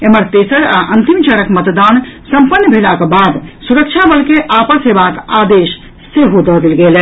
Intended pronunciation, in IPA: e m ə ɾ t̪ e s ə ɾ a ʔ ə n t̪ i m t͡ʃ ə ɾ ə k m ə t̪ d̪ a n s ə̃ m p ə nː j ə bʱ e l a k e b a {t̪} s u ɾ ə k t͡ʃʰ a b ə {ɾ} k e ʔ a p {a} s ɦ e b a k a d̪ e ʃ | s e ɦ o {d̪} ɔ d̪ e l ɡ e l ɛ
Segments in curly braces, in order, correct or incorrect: incorrect: d̪, incorrect: l, incorrect: ə, correct

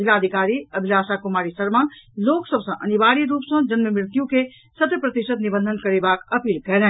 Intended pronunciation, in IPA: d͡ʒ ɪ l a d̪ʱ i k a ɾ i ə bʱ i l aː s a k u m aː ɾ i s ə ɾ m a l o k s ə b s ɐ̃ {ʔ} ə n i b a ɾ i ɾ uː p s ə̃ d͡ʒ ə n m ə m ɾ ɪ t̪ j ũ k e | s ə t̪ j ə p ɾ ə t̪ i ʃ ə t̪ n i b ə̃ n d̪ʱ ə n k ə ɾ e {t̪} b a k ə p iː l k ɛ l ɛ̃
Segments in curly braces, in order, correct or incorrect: correct, incorrect: none

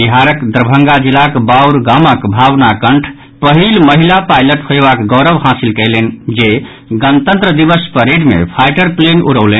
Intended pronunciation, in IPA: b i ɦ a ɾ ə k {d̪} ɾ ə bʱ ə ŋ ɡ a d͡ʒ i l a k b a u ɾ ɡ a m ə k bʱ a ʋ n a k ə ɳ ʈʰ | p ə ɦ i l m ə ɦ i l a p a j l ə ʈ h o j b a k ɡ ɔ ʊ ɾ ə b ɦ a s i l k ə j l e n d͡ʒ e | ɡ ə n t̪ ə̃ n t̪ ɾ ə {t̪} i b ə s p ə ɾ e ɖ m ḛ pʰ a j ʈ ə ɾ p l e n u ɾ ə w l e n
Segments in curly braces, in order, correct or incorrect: correct, incorrect: d̪

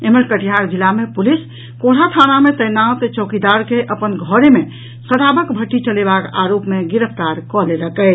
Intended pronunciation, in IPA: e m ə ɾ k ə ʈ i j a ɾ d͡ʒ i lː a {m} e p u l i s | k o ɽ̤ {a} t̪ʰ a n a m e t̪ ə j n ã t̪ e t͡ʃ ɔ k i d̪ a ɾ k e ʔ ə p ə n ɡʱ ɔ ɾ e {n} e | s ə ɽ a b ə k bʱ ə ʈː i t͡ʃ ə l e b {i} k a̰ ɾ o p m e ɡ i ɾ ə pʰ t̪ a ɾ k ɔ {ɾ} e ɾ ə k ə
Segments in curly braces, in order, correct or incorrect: correct, correct, incorrect: m, incorrect: a, incorrect: l

